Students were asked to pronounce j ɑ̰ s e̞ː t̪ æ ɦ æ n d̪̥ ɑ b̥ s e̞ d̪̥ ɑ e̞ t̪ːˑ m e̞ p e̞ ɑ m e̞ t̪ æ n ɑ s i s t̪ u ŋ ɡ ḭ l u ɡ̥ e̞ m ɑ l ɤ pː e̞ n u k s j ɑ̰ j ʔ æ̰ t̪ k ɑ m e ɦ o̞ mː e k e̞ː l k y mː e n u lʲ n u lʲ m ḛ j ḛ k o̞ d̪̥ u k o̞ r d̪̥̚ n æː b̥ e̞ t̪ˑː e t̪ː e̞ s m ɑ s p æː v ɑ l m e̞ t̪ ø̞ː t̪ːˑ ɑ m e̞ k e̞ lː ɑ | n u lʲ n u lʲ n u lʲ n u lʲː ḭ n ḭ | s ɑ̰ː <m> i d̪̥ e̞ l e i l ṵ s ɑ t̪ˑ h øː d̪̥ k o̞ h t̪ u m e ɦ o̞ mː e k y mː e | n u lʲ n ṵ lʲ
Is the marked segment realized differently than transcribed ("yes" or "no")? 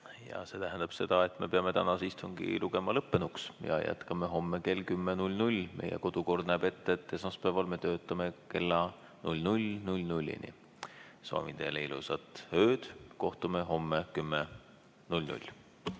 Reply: no